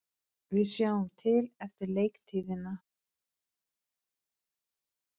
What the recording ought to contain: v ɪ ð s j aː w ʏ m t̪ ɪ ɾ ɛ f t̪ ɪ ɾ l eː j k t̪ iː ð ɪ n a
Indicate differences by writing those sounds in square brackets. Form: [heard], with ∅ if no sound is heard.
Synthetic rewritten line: v ɪ ð s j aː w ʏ m [t̪ʰ] ɪ [l] ɛ f t̪ ɪ ɾ l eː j k [t̪ʰ] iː ð ɪ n a